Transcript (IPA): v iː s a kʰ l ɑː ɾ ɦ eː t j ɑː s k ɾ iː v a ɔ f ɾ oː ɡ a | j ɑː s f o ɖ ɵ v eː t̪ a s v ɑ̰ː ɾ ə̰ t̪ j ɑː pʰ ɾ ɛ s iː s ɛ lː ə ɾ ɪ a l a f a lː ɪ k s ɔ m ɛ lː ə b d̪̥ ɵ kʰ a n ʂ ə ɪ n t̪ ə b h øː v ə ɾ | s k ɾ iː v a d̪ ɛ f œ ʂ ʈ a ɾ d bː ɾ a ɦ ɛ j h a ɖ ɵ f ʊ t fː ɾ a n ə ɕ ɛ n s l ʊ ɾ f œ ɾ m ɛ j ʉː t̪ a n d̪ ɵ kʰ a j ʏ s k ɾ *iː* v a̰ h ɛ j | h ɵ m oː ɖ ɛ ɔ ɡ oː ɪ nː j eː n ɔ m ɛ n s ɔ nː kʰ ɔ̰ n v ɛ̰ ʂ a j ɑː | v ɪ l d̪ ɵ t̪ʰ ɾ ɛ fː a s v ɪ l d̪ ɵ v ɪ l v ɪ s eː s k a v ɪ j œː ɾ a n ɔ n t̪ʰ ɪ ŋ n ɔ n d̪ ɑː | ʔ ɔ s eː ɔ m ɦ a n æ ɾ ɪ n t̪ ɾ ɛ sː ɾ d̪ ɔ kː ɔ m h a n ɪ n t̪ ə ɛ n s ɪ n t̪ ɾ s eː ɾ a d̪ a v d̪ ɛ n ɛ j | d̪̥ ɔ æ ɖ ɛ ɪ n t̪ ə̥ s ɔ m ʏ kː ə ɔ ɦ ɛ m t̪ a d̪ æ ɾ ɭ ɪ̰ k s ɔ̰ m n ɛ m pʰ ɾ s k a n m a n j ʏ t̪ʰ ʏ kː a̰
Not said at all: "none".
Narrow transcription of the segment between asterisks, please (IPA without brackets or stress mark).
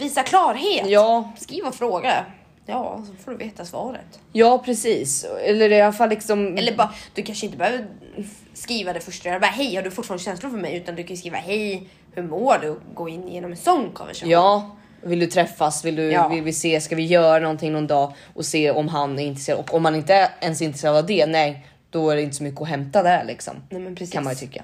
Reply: iː